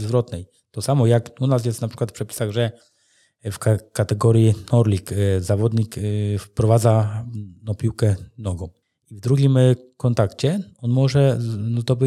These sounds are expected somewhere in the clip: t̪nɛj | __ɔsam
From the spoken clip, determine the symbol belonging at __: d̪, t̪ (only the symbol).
t̪